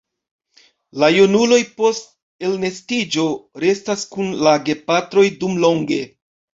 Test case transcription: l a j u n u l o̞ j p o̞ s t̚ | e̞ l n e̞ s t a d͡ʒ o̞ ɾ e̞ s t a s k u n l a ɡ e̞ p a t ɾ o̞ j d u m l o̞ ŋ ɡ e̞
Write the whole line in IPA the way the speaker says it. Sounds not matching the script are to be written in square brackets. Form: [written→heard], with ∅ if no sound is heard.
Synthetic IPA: l a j u n u l o̞ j p o̞ s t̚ | e̞ l n e̞ s t [a→i] d͡ʒ o̞ ɾ e̞ s t a s k u n l a ɡ e̞ p a t ɾ o̞ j d u m l o̞ ŋ ɡ e̞